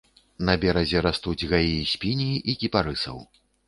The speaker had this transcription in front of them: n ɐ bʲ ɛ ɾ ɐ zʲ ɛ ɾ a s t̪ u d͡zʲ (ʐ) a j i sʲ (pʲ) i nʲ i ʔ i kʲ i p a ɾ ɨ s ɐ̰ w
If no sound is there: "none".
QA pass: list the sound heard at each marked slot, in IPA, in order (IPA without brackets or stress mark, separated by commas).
ɣ, pʲ